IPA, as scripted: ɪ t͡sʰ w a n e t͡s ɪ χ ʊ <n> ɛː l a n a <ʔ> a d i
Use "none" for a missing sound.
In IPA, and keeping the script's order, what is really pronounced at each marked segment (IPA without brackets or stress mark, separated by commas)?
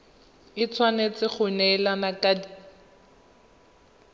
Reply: n, k